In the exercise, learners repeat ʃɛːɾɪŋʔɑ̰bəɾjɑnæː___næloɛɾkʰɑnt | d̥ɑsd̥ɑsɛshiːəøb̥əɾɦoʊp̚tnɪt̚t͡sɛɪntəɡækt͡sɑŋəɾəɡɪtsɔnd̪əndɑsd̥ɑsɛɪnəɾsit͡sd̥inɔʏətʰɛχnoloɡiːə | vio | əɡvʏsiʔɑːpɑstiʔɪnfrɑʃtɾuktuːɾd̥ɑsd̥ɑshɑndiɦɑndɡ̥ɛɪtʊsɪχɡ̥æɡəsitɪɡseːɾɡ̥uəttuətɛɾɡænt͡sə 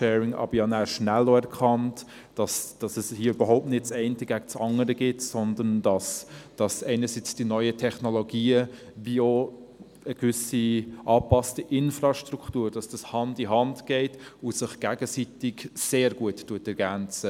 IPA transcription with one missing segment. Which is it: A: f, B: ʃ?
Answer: B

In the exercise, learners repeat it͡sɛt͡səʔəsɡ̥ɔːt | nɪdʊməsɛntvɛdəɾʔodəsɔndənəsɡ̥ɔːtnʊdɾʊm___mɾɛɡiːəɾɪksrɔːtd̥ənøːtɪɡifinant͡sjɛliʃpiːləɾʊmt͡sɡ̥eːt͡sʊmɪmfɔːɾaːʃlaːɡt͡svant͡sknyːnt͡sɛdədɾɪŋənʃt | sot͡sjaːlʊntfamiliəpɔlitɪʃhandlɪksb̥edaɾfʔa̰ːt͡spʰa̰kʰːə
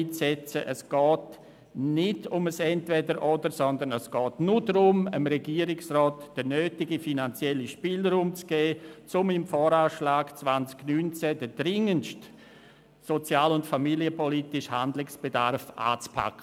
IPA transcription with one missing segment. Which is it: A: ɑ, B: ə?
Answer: B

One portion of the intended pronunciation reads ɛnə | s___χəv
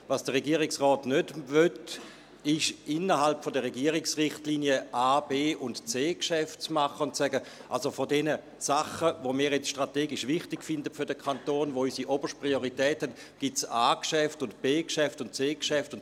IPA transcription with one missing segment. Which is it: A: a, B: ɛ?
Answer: A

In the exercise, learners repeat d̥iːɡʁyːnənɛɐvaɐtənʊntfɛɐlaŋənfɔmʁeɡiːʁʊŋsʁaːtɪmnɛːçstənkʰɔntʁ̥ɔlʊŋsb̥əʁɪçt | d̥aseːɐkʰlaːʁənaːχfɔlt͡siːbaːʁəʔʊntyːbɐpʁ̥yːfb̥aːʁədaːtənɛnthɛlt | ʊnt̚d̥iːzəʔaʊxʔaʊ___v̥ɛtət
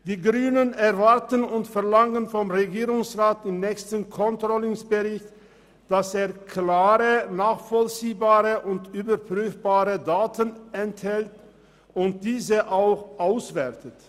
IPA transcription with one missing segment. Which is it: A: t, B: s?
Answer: B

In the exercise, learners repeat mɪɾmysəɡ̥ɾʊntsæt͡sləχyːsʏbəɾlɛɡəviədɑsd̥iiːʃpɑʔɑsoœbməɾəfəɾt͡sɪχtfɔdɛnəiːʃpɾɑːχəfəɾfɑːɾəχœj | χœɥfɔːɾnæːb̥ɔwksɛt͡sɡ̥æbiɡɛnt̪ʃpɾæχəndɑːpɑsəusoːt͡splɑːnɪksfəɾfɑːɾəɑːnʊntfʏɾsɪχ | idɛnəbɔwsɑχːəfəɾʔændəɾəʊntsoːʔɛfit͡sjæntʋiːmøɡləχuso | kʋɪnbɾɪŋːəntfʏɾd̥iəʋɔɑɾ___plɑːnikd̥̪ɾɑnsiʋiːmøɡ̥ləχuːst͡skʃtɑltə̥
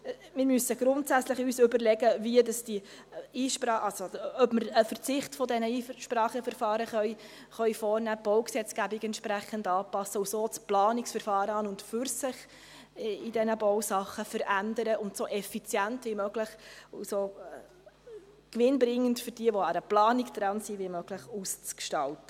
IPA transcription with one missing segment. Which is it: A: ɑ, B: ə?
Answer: B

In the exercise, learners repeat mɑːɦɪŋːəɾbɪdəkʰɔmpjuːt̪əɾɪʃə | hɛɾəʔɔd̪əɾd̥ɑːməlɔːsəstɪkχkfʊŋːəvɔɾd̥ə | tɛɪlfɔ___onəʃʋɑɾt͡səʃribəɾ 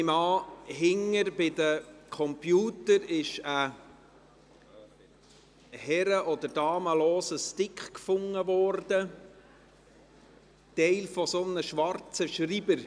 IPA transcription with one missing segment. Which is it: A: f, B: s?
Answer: B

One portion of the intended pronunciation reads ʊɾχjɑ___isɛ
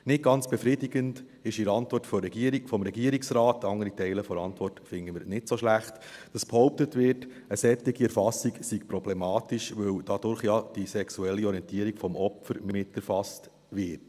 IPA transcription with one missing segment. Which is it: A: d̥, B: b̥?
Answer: A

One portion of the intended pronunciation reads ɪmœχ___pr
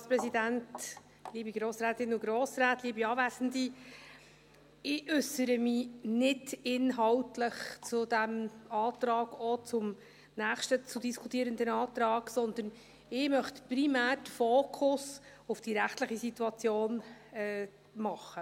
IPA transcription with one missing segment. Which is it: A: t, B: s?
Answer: A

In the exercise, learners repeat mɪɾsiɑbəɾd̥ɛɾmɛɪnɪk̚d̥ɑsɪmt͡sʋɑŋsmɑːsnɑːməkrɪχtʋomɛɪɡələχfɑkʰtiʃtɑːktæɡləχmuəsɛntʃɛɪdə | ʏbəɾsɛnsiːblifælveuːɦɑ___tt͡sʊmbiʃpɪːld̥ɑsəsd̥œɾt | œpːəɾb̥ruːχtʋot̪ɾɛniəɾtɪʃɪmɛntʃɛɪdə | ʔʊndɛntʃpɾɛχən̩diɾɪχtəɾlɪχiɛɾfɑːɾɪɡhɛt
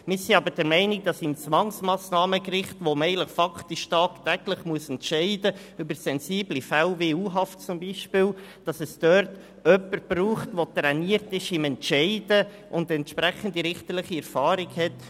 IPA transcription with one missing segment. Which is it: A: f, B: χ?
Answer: A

